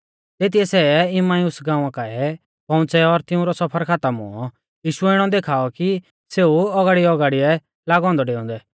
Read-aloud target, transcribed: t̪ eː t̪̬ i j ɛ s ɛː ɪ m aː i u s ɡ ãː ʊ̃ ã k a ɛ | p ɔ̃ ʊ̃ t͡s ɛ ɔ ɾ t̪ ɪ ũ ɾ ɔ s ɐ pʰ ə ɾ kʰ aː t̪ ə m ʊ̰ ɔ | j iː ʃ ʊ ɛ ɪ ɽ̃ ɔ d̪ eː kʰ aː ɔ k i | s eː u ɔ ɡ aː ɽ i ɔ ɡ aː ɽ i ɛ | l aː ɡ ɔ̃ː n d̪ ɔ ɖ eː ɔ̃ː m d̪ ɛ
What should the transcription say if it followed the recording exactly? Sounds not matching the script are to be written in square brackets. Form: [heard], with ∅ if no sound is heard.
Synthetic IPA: t̪ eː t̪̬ i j ɛ s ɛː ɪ m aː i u s ɡ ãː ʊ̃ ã k a ɛ | p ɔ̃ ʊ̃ t͡s ɛ ɔ ɾ t̪ ɪ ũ ɾ ɔ s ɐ pʰ ə ɾ kʰ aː t̪ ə m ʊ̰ ɔ | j iː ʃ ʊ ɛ ɪ ɽ̃ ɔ d̪ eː kʰ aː ɔ k i | s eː u ɔ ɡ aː ɽ i ɔ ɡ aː ɽ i ɛ | l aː ɡ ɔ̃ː n d̪ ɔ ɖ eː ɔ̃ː [n] d̪ ɛ